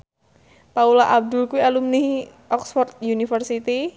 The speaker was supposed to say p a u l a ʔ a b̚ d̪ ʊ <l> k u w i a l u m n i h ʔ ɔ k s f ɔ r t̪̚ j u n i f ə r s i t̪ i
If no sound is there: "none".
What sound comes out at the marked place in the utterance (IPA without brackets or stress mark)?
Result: l